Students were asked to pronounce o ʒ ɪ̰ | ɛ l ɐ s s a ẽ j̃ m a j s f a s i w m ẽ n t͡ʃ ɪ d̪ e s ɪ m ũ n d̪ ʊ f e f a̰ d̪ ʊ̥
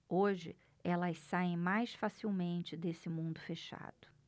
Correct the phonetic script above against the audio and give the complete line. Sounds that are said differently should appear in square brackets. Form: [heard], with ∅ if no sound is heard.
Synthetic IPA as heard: o ʒ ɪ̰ | ɛ l ɐ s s a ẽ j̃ m a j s f a s i w m ẽ n t͡ʃ ɪ d̪ e s ɪ m ũ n d̪ ʊ f e [ʃ] a̰ d̪ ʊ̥